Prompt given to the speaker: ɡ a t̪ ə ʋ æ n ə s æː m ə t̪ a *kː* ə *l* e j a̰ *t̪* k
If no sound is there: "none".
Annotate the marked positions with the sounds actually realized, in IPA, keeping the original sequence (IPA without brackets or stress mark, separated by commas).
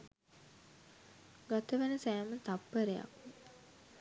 pː, ɾ, none